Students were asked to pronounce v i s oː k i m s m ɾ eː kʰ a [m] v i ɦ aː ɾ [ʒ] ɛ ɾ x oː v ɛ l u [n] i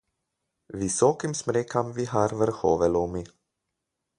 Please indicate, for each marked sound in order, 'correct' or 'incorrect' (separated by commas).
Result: correct, incorrect, incorrect